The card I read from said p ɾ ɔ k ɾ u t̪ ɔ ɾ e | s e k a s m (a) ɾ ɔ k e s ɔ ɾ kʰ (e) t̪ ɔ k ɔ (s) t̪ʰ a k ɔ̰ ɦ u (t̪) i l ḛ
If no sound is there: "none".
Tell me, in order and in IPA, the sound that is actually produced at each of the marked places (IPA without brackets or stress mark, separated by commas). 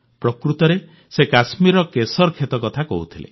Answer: i, e, none, t̪ʰ